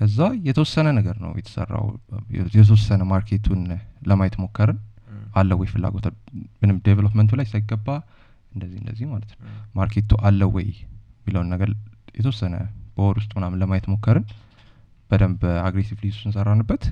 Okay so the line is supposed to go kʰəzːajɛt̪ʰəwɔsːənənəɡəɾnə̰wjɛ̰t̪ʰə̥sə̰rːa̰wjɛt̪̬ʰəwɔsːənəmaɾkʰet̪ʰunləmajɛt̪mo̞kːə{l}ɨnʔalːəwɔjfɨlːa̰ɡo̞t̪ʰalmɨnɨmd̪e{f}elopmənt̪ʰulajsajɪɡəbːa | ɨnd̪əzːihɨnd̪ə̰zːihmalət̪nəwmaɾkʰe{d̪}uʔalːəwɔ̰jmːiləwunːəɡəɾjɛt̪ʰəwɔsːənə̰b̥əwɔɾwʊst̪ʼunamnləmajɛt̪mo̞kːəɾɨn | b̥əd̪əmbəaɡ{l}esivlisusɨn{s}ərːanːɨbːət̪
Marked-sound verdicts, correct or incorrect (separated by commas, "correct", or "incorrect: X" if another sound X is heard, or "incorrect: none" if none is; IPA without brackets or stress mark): incorrect: ɾ, incorrect: v, incorrect: t̪, incorrect: ɾ, correct